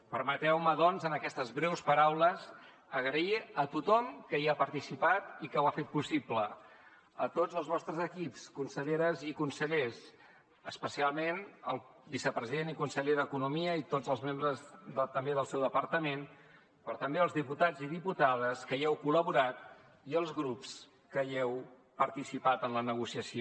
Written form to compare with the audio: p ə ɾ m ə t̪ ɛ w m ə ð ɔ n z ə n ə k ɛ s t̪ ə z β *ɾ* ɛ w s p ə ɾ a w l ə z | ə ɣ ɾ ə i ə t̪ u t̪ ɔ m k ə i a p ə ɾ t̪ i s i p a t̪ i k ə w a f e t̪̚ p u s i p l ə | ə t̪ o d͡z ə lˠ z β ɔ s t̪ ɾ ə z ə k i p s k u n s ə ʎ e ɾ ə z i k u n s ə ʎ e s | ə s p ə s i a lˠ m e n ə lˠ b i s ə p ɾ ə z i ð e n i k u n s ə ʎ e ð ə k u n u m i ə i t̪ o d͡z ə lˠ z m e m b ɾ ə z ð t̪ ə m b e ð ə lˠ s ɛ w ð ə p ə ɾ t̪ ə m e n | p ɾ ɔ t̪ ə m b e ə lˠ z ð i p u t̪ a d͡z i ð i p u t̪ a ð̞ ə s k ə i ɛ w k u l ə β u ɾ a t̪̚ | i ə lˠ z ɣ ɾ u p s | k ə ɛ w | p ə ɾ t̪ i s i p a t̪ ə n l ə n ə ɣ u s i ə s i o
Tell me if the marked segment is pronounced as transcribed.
yes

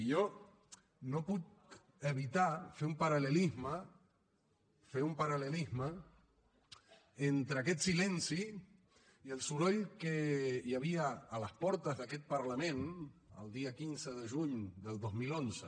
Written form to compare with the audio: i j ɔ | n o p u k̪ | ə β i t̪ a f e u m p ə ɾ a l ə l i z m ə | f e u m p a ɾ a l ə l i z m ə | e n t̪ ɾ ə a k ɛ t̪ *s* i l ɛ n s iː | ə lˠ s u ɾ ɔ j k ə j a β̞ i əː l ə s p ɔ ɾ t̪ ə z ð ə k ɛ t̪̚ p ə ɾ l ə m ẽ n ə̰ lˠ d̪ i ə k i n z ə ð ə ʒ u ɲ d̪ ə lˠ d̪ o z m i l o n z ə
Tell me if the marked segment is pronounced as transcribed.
yes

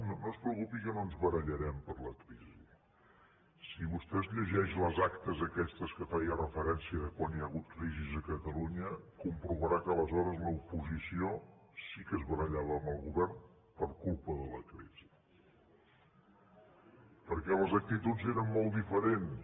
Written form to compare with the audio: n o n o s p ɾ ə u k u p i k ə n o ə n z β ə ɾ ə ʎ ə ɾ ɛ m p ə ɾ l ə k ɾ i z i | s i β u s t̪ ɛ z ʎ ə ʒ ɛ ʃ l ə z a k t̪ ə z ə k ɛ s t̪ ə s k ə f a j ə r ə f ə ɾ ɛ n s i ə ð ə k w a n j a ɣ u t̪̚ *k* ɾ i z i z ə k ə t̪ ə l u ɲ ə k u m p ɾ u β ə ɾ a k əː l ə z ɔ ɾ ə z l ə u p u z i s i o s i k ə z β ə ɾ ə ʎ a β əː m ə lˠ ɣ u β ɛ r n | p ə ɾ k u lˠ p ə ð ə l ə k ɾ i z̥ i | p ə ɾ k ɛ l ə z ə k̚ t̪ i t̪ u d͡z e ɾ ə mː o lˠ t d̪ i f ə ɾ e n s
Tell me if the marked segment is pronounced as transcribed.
yes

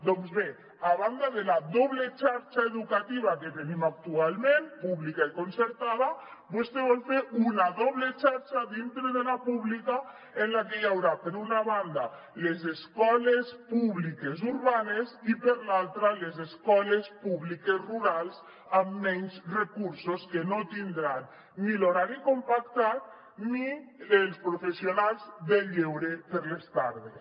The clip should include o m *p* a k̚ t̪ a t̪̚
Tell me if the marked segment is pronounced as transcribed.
yes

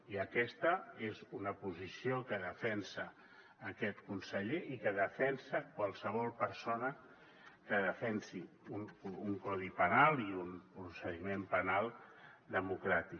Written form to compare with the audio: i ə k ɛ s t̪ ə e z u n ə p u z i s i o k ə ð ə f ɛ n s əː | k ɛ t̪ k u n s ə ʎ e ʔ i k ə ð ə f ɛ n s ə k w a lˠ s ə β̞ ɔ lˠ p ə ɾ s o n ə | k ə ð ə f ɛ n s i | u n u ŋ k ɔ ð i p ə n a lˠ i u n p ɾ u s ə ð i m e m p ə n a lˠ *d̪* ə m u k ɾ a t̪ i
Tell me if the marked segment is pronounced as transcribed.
yes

